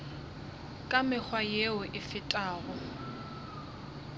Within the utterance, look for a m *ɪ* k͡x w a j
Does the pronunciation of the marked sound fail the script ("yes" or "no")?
no